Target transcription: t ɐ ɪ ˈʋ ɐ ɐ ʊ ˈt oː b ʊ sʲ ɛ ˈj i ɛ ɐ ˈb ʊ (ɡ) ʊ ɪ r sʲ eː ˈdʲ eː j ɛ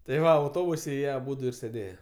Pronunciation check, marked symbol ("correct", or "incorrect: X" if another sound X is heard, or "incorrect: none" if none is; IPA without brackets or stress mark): incorrect: d